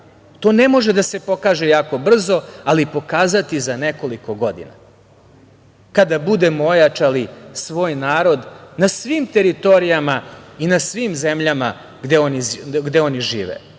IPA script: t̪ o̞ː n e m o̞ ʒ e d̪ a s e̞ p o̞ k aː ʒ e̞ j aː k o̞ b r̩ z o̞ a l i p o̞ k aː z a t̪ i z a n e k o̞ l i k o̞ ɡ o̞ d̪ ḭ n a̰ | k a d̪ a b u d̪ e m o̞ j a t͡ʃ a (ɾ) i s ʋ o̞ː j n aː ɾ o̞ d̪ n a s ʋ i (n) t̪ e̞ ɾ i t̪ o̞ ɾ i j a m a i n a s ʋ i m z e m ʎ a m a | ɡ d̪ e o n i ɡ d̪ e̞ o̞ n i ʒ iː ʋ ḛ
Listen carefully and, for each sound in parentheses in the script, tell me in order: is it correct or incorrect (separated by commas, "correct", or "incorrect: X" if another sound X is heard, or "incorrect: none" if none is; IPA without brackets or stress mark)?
incorrect: l, incorrect: m